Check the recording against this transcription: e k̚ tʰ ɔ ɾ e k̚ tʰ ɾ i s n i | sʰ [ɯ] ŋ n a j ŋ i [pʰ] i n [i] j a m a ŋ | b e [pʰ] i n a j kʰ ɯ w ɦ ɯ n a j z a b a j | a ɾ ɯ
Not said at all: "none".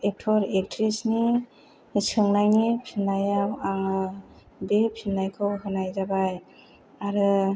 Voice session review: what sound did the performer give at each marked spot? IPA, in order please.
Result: ɯ, pʰ, a, pʰ

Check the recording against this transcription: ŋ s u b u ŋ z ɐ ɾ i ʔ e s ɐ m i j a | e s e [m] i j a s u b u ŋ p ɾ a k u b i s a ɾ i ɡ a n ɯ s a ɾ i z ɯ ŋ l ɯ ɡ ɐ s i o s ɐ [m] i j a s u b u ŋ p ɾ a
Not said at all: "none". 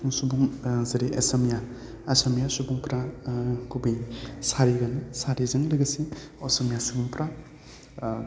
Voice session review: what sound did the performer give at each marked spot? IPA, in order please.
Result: m, m

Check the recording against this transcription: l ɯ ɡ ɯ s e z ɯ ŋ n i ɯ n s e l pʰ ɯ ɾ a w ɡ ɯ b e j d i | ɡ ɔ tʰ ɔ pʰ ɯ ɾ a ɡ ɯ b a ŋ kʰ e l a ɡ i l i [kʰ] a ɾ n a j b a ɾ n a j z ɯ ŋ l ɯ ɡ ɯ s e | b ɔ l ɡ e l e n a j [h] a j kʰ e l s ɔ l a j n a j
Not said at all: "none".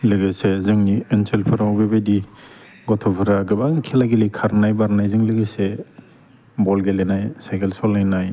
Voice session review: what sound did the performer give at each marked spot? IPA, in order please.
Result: kʰ, s

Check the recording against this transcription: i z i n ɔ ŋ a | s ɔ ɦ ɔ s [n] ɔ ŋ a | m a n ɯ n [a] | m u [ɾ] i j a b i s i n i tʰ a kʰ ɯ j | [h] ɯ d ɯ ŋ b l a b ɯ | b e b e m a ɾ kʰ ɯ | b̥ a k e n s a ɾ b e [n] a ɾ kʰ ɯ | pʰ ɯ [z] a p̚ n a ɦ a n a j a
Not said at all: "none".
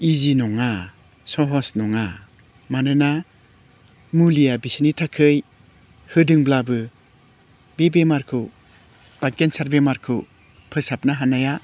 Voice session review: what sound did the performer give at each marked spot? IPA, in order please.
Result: n, a, l, h, m, s

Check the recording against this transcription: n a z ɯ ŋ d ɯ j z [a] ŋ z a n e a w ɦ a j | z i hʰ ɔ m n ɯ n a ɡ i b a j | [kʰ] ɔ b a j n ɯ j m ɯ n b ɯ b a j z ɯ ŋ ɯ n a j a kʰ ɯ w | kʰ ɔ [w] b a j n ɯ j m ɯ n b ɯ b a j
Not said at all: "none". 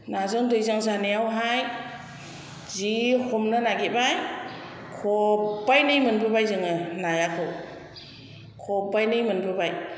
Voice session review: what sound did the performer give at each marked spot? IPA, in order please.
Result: a, kʰ, none

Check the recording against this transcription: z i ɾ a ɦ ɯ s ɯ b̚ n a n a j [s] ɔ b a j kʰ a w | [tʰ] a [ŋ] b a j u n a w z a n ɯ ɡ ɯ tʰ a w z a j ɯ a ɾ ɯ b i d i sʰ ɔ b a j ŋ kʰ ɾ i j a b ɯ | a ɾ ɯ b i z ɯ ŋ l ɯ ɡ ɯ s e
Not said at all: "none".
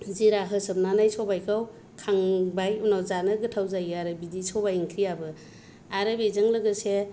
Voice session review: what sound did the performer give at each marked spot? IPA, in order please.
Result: s, kʰ, ŋ

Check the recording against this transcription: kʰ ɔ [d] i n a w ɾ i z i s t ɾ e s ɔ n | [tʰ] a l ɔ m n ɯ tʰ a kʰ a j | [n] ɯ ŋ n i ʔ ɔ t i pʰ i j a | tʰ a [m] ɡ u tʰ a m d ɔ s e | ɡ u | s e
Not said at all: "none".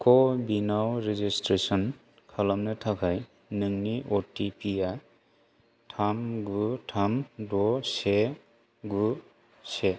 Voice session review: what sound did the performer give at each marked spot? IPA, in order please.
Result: b, kʰ, n, m

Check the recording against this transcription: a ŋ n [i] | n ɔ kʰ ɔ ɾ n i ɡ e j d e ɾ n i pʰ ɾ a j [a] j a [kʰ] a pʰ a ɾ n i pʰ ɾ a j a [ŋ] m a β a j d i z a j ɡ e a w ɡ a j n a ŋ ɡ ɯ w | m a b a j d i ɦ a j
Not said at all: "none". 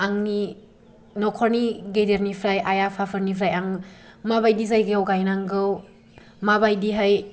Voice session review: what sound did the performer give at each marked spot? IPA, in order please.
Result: i, a, pʰ, ŋ

